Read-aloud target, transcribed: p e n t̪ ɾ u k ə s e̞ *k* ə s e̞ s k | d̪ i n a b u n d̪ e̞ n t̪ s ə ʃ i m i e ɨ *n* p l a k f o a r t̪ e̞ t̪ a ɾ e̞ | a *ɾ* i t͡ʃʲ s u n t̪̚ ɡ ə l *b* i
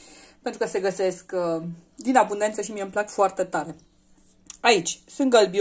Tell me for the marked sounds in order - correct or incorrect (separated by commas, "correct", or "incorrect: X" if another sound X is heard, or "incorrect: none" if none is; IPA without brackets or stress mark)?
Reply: incorrect: ɡ, incorrect: m, incorrect: none, correct